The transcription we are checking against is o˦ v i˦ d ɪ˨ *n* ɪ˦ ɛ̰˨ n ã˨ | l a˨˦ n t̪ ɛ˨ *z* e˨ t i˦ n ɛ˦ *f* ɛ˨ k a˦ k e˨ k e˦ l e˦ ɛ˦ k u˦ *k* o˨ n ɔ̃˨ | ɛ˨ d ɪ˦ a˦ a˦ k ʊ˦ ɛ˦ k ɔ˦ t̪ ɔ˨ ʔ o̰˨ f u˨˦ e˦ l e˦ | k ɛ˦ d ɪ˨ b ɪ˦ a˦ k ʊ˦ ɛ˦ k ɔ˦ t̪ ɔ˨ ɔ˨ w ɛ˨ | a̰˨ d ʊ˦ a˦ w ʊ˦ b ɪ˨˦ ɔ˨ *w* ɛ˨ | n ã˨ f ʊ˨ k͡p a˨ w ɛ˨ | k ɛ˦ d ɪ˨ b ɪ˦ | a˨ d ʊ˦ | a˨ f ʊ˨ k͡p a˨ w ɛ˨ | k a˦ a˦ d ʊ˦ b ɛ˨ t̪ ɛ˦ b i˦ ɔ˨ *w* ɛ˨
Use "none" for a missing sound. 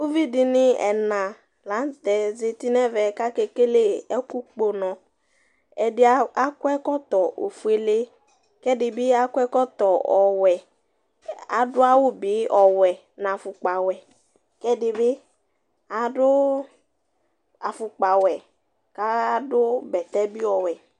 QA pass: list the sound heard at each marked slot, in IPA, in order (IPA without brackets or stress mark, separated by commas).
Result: n, z, v, k͡p, w, w